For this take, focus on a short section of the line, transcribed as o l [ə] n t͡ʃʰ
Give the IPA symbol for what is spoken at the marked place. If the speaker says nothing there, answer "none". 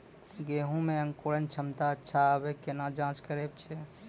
ə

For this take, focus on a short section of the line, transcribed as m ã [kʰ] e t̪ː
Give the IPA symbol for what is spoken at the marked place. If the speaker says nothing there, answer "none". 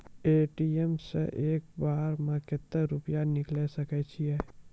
k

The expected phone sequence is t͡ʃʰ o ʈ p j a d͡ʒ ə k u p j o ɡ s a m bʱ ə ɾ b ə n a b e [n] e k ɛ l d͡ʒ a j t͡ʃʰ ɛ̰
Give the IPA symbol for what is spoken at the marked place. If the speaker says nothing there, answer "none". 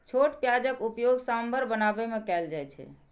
m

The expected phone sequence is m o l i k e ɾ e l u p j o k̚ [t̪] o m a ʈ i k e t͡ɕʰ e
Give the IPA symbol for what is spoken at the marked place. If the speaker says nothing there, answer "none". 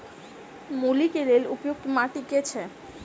t̪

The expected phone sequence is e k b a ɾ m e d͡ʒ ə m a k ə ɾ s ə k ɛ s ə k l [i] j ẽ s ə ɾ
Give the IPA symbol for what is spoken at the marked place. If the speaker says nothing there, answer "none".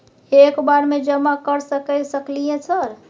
i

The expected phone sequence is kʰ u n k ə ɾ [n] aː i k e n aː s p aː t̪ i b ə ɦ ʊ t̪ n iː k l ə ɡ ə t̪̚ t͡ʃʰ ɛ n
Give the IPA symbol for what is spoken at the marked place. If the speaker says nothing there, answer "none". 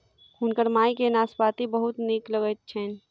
m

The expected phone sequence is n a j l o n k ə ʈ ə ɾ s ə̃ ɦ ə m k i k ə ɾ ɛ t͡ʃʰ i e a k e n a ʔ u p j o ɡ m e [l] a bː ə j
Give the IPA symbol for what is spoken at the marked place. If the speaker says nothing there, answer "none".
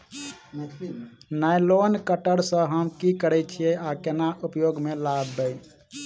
l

